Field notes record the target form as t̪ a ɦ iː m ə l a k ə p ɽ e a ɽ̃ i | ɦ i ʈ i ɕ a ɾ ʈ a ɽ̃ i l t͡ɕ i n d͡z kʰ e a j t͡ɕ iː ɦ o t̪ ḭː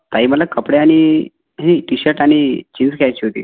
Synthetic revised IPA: t̪ a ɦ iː m ə l a k ə p ɽ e a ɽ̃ i | ɦ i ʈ i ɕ ə ɾ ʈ a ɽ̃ i t͡ɕ i n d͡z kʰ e a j t͡ɕ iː ɦ o t̪ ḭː